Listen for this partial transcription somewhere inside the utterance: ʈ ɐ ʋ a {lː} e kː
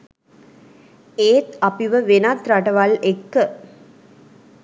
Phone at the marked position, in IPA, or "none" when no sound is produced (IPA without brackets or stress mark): l